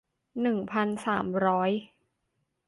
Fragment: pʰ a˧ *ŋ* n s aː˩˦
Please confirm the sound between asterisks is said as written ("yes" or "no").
no